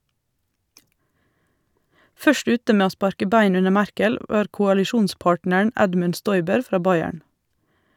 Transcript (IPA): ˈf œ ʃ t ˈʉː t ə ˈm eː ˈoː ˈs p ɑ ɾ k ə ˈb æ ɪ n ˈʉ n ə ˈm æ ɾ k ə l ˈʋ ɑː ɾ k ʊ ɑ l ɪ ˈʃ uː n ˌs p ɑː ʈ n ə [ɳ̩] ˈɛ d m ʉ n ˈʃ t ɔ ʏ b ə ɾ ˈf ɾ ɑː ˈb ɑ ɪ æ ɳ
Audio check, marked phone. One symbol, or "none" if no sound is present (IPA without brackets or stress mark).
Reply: ɳ̩